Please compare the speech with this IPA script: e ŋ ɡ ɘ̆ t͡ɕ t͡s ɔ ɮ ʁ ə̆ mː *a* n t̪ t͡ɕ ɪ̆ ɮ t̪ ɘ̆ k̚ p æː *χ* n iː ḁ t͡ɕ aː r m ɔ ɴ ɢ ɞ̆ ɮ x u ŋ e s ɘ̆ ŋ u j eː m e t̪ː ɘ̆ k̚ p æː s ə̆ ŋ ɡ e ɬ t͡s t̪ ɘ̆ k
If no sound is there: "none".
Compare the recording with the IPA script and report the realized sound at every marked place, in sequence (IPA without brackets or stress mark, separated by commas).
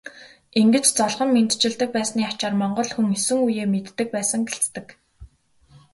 e, s